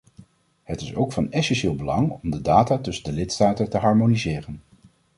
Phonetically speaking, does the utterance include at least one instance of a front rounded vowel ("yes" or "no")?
no